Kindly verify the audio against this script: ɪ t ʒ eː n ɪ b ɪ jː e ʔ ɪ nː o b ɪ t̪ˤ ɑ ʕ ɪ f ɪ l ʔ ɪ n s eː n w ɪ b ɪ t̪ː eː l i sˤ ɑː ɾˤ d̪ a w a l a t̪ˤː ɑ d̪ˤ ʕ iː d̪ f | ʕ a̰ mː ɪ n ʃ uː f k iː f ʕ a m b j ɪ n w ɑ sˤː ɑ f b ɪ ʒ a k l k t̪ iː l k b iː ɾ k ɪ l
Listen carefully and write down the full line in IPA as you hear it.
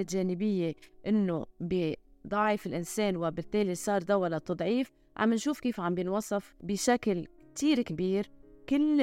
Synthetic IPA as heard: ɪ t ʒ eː n ɪ b ɪ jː e ʔ ɪ nː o b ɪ d̪ˤ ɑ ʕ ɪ f ɪ l ʔ ɪ n s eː n w ɪ b ɪ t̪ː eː l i sˤ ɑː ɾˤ d̪ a w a l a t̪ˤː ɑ d̪ˤ ʕ iː f | ʕ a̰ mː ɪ n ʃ uː f k iː f ʕ a m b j ɪ n w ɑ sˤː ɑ f b ɪ ʃ a k l k t̪ iː ɾ k b iː ɾ k ɪ l